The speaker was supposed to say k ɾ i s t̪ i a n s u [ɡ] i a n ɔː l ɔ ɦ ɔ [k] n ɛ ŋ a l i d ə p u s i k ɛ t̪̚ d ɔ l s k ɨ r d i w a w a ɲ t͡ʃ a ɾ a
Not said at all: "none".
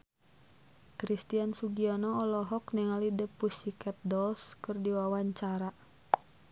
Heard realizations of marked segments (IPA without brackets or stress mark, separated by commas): ɡ, k